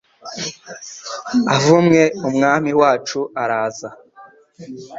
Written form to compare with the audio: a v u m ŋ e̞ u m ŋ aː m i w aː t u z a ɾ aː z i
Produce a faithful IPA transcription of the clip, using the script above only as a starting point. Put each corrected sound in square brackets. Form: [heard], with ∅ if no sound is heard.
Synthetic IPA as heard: a v u m ŋ e̞ u m ŋ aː m i w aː [t͡ʃ] u [∅] a ɾ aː z [a]